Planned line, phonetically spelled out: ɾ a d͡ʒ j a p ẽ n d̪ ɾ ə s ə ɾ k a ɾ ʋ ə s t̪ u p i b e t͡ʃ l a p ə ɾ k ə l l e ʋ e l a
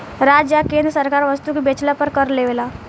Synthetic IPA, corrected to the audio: ɾ a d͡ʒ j a k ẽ n d̪ ɾ ə s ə ɾ k a ɾ ʋ ə s t̪ u k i b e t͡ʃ l a p ə ɾ k ə ɾ l e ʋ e l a